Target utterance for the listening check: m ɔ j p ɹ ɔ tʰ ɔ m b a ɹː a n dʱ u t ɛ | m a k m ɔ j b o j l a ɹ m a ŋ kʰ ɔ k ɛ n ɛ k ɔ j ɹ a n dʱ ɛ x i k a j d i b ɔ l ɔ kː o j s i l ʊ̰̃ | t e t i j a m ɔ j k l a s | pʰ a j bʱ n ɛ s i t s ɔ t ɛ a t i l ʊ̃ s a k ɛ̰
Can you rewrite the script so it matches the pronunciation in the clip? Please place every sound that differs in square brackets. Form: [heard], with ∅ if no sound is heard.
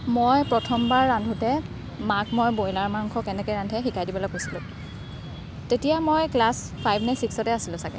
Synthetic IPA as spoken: m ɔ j p ɹ ɔ tʰ ɔ m b a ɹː a n dʱ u t ɛ | m a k m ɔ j b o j l a ɹ m a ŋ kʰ ɔ k ɛ n ɛ k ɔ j ɹ a n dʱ ɛ x i k a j d i b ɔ l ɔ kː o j s i l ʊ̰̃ | t e t i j a m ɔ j k l a s | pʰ a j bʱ n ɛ s i [k] s ɔ t ɛ a [s] i l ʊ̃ s a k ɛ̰